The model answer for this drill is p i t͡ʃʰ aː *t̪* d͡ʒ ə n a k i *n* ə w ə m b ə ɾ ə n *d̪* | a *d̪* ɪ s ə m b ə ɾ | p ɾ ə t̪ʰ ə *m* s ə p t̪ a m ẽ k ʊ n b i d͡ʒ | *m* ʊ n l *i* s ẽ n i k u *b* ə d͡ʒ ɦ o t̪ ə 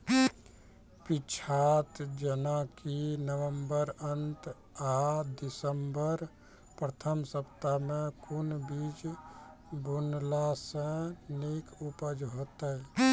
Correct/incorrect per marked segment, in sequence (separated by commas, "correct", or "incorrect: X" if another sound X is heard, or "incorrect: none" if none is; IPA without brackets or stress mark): correct, correct, incorrect: t̪, correct, correct, incorrect: b, incorrect: a, incorrect: p